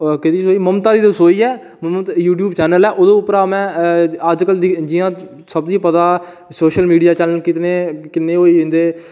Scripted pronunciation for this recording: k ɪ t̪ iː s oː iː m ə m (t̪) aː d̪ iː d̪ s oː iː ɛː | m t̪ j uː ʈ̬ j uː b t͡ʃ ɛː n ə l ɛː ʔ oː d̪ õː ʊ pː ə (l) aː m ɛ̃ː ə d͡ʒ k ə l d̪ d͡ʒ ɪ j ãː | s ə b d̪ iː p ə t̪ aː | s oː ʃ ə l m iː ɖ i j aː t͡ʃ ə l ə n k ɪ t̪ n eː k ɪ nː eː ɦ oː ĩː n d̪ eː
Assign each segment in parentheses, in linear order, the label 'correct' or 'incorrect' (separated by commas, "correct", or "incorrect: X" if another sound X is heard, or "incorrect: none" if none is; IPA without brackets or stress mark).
correct, incorrect: ɾ